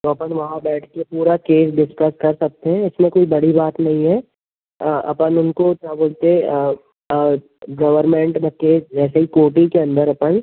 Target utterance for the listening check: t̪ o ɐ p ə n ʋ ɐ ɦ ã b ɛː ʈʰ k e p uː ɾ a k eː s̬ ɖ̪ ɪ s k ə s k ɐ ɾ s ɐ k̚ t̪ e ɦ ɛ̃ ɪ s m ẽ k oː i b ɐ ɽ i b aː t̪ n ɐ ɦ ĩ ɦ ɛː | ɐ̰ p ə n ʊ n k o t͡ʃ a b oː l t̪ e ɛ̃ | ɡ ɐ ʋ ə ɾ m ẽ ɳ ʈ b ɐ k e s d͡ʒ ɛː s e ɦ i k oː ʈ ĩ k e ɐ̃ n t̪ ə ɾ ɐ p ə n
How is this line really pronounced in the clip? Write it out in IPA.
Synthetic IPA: t̪ o ɐ p ə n ʋ ɐ ɦ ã b ɛː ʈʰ k e p uː ɾ a k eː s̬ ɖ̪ ɪ s k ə s k ɐ ɾ s ɐ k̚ t̪ e ɦ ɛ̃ ɪ s m ẽ k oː i b ɐ ɽ i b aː t̪ n ɐ ɦ ĩ ɦ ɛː | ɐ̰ p ə n ʊ n k o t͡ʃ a b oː l t̪ e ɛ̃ | ɡ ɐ ʋ ə ɾ m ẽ ɳ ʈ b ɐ k e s d͡ʒ ɛː s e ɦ i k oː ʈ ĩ k e ɐ̃ n d̪ ə ɾ ɐ p ə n